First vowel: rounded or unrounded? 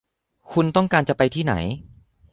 rounded